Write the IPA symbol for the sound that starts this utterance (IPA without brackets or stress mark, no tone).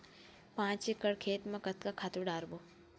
p